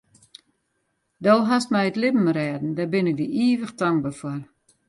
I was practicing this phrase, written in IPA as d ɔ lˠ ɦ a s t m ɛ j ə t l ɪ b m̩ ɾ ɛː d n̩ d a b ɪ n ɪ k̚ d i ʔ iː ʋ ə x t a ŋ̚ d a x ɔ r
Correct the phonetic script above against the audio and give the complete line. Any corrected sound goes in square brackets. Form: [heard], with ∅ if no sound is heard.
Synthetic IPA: d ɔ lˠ ɦ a s t m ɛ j ə t l ɪ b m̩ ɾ ɛː d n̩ d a b ɪ n ɪ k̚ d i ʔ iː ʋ ə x t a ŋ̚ [b] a [f] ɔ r